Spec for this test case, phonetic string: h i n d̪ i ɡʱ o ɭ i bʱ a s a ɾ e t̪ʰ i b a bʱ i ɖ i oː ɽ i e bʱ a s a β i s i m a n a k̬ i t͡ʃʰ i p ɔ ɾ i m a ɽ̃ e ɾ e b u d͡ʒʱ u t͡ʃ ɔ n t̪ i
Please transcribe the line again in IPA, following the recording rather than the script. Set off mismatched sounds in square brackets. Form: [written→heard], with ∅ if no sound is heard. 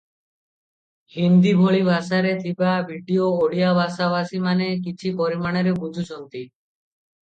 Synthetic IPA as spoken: h i n d̪ i [ɡʱ→bʱ] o ɭ i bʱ a s a ɾ e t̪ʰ i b a bʱ i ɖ i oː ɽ i [e→a] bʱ a s a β [i→a] s i m a n [a→e] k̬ i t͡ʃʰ i p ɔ ɾ i m a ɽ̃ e ɾ e b u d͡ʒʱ u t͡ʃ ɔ n t̪ i